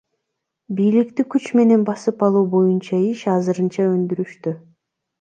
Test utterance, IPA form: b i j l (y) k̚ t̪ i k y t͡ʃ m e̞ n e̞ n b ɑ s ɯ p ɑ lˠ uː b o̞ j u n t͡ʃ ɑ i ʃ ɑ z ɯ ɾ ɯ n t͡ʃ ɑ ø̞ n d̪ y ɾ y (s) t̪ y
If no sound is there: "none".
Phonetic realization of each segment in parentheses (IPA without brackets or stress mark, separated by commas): i, ʃ